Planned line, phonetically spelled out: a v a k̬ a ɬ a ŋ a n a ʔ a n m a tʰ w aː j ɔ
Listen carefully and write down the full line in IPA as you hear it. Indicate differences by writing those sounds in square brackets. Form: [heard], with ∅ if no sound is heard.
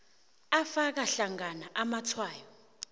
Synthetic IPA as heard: a [f] a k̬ a ɬ a ŋ a n a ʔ a [∅] m a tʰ w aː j ɔ